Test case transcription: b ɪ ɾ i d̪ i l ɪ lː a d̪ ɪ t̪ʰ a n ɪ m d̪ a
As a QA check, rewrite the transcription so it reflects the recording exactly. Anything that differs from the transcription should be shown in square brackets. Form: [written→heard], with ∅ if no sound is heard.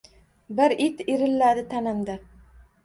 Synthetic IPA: b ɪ ɾ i [d̪→t̪] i [l→ɾ] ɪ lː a d̪ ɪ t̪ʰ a n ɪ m d̪ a